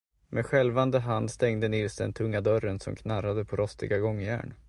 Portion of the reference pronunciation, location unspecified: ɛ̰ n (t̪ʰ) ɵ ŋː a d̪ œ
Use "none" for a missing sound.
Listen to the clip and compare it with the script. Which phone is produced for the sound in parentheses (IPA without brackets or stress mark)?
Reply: t̪ʰ